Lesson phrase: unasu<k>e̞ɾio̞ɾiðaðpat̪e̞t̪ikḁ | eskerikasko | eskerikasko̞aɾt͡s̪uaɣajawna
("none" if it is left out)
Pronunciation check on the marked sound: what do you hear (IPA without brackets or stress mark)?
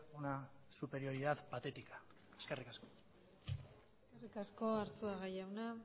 p